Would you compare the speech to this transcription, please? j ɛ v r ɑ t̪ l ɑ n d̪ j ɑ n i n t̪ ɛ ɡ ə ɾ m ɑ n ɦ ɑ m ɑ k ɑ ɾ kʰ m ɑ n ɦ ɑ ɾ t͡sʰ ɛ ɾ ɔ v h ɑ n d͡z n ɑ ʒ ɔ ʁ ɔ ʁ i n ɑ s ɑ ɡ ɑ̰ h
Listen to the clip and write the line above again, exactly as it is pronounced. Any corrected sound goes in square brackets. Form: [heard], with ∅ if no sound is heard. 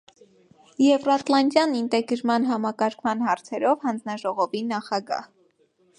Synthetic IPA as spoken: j ɛ v r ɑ t̪ l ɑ n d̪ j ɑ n i n t̪ ɛ ɡ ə ɾ m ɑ n ɦ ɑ m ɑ k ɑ ɾ kʰ m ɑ n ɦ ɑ ɾ t͡sʰ ɛ ɾ ɔ v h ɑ n d͡z n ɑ ʒ ɔ ʁ ɔ [v] i n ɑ [χ] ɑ ɡ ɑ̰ h